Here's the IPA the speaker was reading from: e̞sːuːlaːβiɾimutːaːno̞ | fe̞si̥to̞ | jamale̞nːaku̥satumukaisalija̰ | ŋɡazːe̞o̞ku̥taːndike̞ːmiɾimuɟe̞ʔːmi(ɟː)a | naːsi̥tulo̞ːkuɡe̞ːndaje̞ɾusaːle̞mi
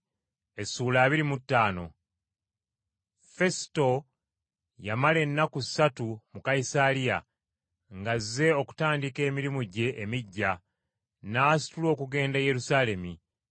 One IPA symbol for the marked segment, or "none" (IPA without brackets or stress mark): ɟː